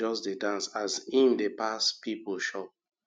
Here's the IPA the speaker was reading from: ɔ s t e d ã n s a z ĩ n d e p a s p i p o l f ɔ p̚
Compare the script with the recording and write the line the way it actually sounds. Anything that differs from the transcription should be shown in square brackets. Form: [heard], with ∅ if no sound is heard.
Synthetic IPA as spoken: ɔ s [d] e d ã n s a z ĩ n d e p a s p i p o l [ʃ] ɔ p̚

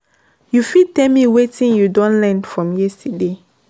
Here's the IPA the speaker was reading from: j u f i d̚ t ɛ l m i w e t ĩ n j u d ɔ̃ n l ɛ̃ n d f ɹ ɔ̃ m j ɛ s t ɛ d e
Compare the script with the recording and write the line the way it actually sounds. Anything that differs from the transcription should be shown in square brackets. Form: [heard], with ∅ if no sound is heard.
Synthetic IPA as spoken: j u f i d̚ t ɛ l m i w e t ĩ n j u d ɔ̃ n l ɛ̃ n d f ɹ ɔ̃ m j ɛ s t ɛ d e

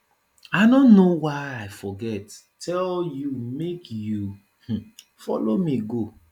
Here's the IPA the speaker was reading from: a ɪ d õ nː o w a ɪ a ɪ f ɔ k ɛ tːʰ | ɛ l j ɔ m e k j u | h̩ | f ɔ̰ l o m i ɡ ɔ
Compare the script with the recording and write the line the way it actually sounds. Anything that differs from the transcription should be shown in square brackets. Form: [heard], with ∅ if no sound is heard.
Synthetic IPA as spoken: a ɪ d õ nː o w a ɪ a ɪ f ɔ [ɡ] ɛ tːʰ | ɛ l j [u] m e k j u | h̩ | f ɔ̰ l o m i ɡ [o]

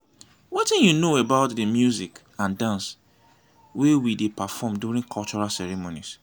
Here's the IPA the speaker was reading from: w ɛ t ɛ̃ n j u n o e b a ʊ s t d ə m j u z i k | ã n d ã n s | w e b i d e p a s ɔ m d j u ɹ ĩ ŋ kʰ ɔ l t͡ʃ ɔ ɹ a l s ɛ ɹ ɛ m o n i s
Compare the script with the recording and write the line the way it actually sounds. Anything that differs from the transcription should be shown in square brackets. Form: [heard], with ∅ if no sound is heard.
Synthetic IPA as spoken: w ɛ t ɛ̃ n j u n o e b a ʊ [∅] t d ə m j u z i k | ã n d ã n s | w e [w] i d e p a [f] ɔ m d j u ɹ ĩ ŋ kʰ ɔ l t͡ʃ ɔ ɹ a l s ɛ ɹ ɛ m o n i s

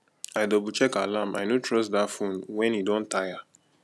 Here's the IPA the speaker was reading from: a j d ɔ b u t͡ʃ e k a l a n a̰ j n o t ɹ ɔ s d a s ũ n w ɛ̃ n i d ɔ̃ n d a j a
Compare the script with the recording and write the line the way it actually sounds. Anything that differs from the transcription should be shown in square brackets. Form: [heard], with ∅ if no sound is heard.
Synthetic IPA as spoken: a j d ɔ b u t͡ʃ [ɛ] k a l a [m] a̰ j n o t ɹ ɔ s d a [f] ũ n w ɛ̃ n i d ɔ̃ n [t] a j a

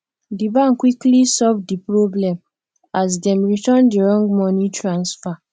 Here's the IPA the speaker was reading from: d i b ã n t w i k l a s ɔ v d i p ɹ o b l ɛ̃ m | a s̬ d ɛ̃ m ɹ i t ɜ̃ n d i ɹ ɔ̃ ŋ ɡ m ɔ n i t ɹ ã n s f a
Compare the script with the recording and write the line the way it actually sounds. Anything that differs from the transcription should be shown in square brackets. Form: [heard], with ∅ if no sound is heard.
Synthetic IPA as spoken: d i b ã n [k] w i k l [i] s ɔ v d i p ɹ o b l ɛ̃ m | a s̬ d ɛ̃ m ɹ i t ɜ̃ n d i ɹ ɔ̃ ŋ ɡ m ɔ n i t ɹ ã n s f a

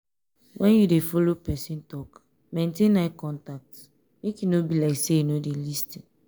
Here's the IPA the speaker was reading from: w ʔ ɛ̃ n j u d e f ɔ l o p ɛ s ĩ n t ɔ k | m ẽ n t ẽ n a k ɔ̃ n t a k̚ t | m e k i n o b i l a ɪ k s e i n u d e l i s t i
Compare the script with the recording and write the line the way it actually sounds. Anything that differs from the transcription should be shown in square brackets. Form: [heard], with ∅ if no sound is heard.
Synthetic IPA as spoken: w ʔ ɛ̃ n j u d e f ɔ l o p ɛ s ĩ n t ɔ k | m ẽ n t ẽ n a k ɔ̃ n t a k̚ t | m e k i n o b i l a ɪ k s e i n [o] d e l i s t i

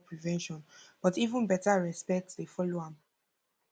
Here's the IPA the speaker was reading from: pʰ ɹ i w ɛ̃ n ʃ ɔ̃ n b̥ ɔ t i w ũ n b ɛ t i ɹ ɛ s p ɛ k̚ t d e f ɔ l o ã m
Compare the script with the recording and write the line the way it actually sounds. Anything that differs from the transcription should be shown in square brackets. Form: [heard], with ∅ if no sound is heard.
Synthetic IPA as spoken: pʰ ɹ i [v] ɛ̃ n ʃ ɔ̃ n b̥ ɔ t i [v] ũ n b ɛ t [a] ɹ ɛ s p ɛ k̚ t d e f ɔ l o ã m

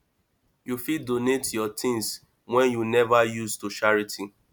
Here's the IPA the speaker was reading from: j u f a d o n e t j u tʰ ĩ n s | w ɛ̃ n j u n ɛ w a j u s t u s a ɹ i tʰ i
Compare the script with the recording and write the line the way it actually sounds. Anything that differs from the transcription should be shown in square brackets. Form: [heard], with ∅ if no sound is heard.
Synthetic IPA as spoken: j u f [i] d o n e t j [ɔ] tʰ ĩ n s | w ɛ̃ n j u n ɛ [v] a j u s t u [ʃ] a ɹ i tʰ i

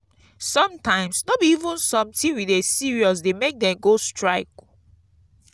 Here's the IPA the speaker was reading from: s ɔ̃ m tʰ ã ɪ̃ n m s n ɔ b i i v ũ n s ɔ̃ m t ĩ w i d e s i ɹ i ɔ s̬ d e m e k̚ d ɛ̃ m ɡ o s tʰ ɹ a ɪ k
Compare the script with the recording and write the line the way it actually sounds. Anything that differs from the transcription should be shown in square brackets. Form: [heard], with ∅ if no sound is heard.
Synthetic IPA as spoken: s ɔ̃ m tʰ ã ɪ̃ [∅] m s n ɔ b i i v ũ n s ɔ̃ m t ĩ w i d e s i ɹ i ɔ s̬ d e m e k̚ d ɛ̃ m ɡ o s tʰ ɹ a ɪ k

